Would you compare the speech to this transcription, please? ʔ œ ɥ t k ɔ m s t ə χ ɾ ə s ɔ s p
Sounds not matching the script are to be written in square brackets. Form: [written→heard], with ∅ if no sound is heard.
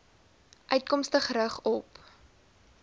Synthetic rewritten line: ʔ œ ɥ t k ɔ m s t ə χ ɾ ə [s→χ] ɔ [s→∅] p